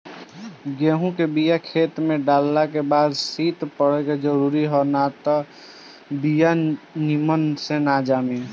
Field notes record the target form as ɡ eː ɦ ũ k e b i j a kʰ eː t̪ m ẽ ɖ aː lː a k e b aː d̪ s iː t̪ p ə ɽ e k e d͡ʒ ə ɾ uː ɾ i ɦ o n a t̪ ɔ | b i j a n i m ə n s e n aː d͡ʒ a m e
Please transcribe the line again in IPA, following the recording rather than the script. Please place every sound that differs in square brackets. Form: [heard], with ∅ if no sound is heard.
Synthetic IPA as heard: ɡ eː ɦ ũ k e b i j a kʰ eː t̪ m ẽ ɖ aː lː a k e b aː d̪ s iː t̪ p ə ɽ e k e d͡ʒ ə ɾ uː ɾ i ɦ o n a t̪ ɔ | b i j a n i m ə n s e n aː d͡ʒ a m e

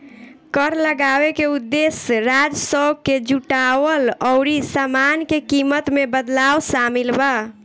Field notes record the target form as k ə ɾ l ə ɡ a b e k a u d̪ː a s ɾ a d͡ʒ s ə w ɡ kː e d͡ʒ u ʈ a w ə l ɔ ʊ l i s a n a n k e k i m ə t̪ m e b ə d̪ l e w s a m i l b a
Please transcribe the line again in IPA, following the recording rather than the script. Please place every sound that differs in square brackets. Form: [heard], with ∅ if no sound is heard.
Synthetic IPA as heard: k ə ɾ l ə ɡ a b e k [e] u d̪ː [e] s ɾ a d͡ʒ s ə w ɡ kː e d͡ʒ u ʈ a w ə l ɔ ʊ [ɾ] i s a [m] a n k e k i m ə t̪ m e b ə d̪ l [a] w s a m i l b a

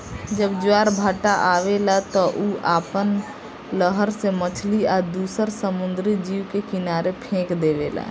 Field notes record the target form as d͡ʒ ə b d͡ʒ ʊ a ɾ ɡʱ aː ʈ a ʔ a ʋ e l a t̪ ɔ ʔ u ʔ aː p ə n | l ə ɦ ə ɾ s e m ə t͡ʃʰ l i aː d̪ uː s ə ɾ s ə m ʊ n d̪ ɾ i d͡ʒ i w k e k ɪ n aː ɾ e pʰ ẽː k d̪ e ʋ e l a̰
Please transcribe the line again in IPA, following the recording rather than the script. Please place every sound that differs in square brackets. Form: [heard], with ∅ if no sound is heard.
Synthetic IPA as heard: d͡ʒ ə b d͡ʒ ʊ a ɾ [bʱ] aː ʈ a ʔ a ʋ e l a t̪ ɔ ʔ u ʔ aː p ə n | l ə ɦ ə ɾ s e m ə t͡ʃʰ l i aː d̪ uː s ə ɾ s ə m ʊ n d̪ ɾ i d͡ʒ i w k e k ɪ n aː ɾ e pʰ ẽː k d̪ e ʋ e l a̰

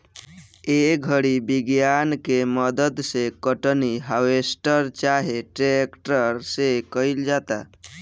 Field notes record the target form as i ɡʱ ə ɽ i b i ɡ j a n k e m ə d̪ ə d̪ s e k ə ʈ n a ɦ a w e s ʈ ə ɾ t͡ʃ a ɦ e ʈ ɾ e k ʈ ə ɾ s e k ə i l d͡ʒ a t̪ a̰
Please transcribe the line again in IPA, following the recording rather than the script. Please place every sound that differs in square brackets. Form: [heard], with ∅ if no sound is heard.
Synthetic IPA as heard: [e] ɡʱ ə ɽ i b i ɡ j a n k e m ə d̪ ə d̪ s e k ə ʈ n [i] ɦ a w e s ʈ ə ɾ t͡ʃ a ɦ e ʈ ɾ e k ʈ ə ɾ s e k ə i l d͡ʒ a t̪ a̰

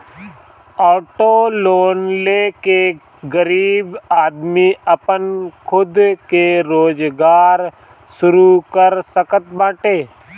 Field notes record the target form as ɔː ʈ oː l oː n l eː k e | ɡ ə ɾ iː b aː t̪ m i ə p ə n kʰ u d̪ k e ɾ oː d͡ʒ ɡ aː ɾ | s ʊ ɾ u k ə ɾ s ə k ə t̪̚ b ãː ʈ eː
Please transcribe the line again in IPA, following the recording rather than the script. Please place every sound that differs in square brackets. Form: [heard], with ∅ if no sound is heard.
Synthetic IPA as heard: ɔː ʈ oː l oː n l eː k e | ɡ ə ɾ iː b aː [d̪] m i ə p ə n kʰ [ʊ] d̪ k e ɾ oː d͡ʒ ɡ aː ɾ | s ʊ ɾ u k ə ɾ s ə k ə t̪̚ b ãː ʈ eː

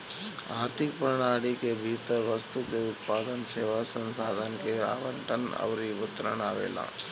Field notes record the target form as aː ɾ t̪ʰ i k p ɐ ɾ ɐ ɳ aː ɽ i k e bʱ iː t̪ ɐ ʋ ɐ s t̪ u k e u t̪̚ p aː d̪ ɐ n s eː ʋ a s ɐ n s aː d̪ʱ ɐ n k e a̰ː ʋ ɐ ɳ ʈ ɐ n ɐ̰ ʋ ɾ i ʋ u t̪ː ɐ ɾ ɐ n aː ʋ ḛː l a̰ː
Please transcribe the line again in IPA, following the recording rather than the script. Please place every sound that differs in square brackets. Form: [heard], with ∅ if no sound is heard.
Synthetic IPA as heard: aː ɾ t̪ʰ i k p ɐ ɾ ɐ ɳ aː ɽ i k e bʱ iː t̪ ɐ ʋ ɐ s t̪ u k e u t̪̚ p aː d̪ ɐ n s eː ʋ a s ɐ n s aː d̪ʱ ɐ n k e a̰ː ʋ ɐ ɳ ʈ ɐ n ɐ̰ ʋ ɾ i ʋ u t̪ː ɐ ɾ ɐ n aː ʋ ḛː l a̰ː

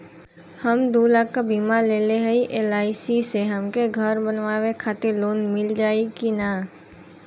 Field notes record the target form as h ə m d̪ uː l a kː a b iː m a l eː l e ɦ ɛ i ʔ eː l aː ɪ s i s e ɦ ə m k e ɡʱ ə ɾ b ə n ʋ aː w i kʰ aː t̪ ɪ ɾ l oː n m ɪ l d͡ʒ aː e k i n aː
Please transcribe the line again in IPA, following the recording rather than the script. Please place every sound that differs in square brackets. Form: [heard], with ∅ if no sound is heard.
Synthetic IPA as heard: h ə m d̪ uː l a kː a b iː m a l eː l e ɦ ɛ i ʔ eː l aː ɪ s i s e ɦ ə m k e ɡʱ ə ɾ b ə n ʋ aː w [e] kʰ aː t̪ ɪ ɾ l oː n m ɪ l d͡ʒ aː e k i n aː

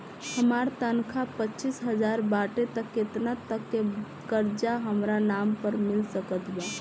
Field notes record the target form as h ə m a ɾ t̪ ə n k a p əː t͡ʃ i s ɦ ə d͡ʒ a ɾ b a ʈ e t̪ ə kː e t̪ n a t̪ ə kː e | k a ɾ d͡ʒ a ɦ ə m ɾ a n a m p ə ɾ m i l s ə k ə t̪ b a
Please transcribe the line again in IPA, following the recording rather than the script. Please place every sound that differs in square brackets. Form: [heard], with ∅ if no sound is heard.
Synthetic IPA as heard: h ə m a ɾ t̪ ə n [kʰ] a p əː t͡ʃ i s ɦ ə d͡ʒ a ɾ b a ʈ e t̪ ə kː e t̪ n a t̪ ə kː e | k [ə] ɾ d͡ʒ a ɦ ə m ɾ a n a m p ə ɾ m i l s ə k ə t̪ b a

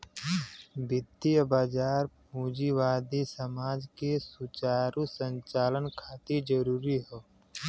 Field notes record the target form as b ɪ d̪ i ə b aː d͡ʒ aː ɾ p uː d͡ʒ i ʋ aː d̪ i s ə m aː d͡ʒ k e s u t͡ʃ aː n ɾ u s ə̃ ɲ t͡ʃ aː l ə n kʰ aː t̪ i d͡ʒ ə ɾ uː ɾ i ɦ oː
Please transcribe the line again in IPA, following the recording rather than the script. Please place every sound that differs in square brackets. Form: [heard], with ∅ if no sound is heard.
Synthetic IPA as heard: b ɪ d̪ i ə b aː d͡ʒ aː ɾ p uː d͡ʒ i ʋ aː d̪ i s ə m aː d͡ʒ k e s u t͡ʃ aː [∅] ɾ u s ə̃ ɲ t͡ʃ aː l ə n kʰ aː t̪ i d͡ʒ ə ɾ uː ɾ i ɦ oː

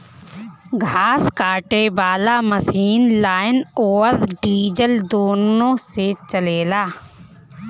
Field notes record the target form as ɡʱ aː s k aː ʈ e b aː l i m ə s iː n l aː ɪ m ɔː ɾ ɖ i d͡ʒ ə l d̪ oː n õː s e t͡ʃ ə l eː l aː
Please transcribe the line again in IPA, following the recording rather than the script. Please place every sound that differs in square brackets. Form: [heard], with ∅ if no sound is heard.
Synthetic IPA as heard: ɡʱ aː s k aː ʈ e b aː l [a] m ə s iː n l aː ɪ [n] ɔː ɾ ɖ [iː] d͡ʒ ə l d̪ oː n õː s e t͡ʃ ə l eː l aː

